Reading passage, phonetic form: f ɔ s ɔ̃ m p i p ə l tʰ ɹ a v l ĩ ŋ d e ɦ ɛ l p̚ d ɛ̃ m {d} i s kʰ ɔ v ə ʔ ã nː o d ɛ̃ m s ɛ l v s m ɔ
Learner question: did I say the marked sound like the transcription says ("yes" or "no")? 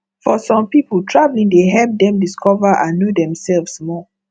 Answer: yes